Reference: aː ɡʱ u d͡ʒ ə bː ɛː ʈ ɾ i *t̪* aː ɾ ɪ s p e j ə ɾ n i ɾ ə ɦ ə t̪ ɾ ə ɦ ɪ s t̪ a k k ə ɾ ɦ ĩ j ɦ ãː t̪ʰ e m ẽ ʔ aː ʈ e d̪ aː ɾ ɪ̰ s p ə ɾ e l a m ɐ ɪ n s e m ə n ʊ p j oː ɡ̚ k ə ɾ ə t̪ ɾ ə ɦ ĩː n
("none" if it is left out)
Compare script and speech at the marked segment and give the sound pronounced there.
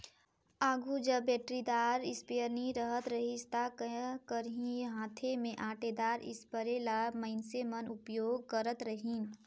d̪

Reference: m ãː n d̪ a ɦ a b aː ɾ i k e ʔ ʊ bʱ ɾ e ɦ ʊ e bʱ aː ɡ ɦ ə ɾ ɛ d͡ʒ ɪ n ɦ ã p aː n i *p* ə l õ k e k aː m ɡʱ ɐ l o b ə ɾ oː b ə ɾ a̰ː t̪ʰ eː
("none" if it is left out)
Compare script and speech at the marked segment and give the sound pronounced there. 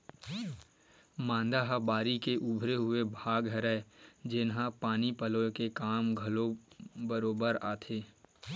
p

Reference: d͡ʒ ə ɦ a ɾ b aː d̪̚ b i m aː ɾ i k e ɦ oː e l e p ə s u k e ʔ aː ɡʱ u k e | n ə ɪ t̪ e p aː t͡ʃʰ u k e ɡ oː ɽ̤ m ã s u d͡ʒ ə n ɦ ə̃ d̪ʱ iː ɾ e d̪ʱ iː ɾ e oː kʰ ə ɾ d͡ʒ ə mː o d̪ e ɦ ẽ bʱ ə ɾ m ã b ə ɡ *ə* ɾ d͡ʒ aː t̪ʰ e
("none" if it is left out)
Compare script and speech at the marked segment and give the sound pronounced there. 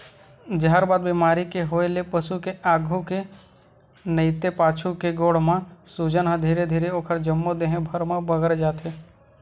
ə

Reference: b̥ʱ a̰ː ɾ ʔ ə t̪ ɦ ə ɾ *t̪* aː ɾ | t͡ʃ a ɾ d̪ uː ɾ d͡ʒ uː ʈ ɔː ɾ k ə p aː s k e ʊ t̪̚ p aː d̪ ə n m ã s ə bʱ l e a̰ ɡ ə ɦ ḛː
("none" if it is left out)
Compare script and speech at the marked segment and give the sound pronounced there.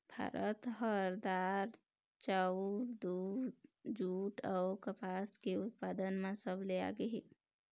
d̪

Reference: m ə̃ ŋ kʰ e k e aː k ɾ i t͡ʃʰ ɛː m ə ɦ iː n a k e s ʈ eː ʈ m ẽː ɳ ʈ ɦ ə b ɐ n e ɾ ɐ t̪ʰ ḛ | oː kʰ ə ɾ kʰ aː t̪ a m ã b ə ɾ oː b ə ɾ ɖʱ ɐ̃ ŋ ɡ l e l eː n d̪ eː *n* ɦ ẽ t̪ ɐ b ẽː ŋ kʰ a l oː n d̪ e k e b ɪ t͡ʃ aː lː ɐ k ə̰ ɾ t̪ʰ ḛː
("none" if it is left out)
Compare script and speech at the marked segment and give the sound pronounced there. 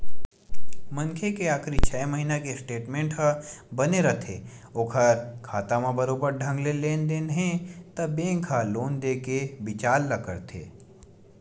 n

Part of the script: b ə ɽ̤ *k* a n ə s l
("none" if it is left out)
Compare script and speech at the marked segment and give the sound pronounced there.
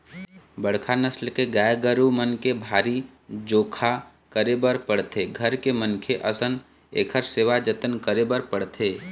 kʰ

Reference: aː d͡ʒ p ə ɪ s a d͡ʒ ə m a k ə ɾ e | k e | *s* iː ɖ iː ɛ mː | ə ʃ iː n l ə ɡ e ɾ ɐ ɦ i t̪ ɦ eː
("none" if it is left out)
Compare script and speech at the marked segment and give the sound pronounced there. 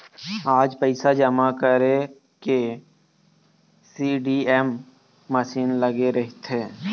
s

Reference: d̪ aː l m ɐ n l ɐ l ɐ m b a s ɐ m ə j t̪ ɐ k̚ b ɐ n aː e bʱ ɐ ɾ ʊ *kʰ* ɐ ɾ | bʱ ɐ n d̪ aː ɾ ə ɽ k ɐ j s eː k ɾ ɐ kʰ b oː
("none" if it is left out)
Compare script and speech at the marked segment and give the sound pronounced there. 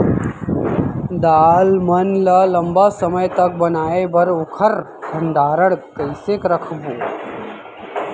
kʰ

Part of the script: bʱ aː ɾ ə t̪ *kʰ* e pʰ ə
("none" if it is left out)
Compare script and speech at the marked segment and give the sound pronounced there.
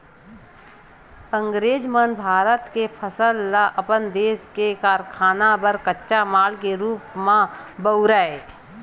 k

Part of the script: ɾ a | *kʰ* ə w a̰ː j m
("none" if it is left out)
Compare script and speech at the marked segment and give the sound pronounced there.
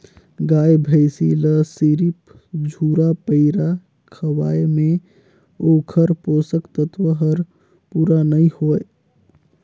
kʰ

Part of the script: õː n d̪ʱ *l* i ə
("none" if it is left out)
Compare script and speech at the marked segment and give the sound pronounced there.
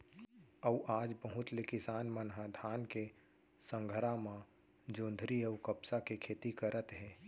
ɾ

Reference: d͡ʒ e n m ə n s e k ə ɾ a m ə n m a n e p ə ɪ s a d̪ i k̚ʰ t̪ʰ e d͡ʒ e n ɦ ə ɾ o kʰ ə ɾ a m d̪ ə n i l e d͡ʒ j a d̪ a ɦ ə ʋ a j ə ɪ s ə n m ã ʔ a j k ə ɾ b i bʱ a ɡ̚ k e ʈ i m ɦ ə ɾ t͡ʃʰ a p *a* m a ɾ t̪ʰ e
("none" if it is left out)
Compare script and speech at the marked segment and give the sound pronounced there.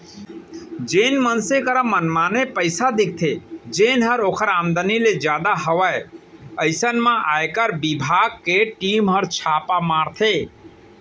a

